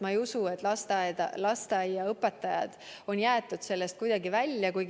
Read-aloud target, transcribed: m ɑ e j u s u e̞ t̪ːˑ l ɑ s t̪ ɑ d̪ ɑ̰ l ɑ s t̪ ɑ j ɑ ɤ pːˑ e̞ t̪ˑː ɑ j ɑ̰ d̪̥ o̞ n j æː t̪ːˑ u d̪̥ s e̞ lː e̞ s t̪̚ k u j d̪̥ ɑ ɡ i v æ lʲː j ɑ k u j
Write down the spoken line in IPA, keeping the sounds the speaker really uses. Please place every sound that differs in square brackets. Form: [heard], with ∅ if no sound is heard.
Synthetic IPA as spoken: m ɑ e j u s u e̞ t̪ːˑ l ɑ s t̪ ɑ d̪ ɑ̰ l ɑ s t̪ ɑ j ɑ ɤ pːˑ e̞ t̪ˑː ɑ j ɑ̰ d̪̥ o̞ n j æː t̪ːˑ u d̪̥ s e̞ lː e̞ s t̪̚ k u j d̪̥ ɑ ɡ i v æ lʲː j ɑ k u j